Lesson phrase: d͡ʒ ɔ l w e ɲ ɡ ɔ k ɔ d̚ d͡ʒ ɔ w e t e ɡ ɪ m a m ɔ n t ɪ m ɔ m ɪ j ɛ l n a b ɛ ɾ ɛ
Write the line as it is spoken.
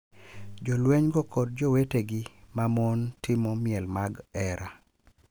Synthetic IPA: d͡ʒ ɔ l w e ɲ ɡ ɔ k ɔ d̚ d͡ʒ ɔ w e t e ɡ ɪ m a m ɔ n t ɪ m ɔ m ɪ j ɛ l m a ɡ ɛ ɾ a